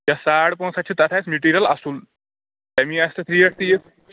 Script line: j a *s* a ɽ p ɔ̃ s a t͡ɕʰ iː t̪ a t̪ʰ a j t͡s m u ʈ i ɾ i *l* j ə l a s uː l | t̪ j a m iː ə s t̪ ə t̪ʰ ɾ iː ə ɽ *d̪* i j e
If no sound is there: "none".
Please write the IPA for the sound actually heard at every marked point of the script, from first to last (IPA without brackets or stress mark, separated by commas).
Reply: s, none, t̪